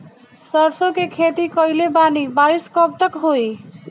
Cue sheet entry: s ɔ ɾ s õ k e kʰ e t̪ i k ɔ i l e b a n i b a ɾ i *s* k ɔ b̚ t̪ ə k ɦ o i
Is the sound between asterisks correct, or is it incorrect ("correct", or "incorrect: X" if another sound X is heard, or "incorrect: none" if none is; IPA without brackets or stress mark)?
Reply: correct